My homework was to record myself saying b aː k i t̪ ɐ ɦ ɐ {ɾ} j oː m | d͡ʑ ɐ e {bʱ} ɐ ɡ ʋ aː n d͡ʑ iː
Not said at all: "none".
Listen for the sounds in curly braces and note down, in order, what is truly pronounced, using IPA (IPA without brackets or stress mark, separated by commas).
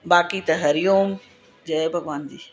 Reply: ɾ, bʱ